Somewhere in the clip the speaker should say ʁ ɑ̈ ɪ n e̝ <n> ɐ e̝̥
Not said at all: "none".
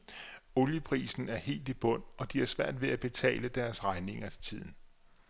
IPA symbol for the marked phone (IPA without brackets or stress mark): ŋ